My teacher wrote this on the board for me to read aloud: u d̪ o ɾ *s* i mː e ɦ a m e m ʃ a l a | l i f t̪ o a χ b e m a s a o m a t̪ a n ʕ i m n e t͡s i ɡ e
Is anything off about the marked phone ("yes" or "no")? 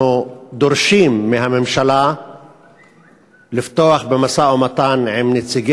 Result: yes